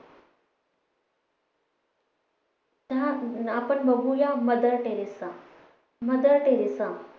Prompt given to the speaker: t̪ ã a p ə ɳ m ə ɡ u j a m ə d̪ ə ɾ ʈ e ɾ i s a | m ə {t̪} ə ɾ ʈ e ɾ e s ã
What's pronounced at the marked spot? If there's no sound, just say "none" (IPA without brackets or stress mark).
d̪